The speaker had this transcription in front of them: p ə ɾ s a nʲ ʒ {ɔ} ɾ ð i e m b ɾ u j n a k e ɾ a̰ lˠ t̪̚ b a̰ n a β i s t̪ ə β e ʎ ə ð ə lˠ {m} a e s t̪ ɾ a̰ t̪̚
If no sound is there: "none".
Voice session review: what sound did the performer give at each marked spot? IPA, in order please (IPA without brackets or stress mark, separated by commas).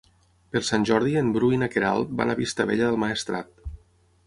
ɔ, m